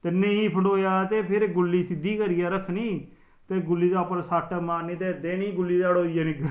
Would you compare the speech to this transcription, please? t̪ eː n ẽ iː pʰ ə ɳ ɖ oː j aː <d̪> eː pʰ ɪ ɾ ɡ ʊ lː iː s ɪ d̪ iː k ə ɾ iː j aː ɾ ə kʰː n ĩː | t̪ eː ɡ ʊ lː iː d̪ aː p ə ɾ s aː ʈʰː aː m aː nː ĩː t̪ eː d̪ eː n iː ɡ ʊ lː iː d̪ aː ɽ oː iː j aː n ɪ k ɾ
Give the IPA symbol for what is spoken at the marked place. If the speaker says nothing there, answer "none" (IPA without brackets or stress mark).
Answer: t̪